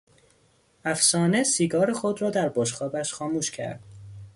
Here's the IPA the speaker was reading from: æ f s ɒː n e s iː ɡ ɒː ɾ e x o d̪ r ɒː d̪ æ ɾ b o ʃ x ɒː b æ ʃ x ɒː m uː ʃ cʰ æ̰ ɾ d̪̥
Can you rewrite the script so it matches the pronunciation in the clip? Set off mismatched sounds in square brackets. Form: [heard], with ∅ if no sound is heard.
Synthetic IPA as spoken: æ f s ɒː n e s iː ɡ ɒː ɾ e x o d̪ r ɒː d̪ æ ɾ b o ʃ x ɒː b æ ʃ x ɒː m uː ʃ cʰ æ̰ ɾ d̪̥